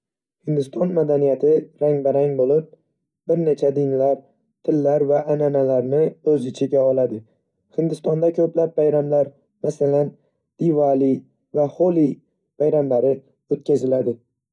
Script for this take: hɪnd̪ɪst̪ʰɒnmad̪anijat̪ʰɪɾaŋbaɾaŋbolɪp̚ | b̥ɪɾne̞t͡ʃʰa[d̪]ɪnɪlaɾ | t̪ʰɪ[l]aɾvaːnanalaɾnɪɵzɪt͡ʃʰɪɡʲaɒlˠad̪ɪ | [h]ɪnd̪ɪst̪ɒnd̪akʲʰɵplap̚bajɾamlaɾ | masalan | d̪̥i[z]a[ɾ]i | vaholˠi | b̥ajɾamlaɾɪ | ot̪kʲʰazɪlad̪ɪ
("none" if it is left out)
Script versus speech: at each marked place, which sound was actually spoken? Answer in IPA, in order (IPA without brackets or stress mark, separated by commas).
d̪, lː, h, v, l